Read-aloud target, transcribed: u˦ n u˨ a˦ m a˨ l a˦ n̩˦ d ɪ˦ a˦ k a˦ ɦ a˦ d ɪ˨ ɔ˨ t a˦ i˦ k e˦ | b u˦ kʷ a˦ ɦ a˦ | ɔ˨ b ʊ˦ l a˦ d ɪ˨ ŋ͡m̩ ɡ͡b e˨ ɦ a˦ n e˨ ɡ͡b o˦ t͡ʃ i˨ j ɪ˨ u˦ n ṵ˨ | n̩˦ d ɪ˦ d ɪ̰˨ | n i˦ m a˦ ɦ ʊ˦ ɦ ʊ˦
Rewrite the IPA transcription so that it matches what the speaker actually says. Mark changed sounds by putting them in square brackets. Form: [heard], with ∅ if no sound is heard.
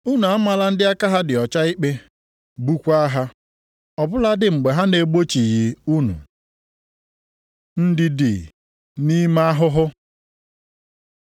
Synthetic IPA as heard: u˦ n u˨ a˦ m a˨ l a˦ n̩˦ d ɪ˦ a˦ k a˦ ɦ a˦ d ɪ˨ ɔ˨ [t͡ʃ] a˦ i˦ [k͡p] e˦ | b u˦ kʷ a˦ ɦ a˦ | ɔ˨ b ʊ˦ l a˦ d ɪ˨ ŋ͡m̩ ɡ͡b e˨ ɦ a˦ n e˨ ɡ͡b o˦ t͡ʃ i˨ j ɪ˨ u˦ n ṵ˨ | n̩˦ d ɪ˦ d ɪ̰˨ | n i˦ m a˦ ɦ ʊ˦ ɦ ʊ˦